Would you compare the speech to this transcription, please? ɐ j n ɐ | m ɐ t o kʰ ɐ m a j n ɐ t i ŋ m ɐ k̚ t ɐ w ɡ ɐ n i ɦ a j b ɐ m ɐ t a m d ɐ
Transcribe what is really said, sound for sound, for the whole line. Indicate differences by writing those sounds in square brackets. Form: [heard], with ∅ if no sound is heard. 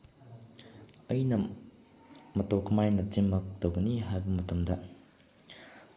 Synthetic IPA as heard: ɐ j n ɐ | m ɐ t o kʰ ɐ m a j n ɐ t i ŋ m ɐ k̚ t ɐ w ɡ ɐ n i ɦ a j b ɐ m ɐ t [ɐ] m d ɐ